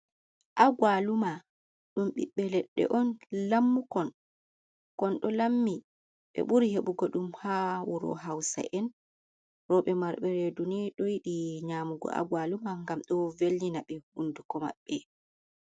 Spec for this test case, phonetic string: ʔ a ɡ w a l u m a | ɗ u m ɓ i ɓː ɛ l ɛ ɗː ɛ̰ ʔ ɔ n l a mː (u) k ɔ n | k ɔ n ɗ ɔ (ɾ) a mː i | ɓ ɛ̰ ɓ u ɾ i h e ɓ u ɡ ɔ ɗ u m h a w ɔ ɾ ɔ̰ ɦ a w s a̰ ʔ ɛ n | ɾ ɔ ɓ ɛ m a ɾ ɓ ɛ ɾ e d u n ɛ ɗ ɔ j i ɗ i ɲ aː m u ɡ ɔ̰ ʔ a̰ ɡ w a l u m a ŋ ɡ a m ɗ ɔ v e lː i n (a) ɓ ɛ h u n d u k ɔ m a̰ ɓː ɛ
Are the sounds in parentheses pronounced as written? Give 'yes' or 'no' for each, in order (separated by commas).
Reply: yes, no, yes